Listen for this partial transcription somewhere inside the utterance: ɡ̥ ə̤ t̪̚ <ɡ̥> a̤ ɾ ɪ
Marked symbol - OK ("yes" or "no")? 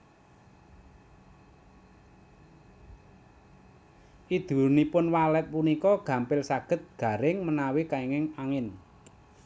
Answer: yes